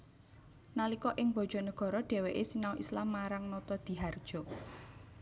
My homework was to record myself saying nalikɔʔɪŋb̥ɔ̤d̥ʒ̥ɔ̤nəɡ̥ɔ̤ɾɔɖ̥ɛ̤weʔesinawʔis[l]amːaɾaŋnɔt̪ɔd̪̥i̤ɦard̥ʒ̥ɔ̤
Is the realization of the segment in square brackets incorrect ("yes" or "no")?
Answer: no